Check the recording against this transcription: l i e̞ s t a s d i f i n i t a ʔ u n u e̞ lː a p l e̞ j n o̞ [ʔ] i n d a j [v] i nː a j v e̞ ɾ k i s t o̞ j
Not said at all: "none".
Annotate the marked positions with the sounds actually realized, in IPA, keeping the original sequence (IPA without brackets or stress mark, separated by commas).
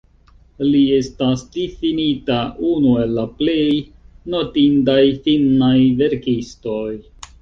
t, f